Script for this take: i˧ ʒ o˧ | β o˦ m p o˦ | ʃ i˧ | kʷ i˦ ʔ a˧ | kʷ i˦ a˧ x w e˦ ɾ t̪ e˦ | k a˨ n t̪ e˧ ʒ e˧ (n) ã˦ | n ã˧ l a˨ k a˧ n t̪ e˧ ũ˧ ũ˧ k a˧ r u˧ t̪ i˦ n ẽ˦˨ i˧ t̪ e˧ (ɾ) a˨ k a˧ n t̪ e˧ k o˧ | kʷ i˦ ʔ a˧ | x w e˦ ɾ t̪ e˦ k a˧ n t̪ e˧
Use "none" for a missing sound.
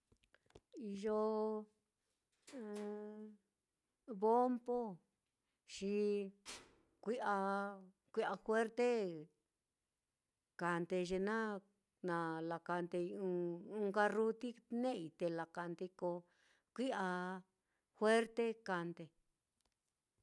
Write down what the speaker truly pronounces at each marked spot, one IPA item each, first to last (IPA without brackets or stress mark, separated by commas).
n, l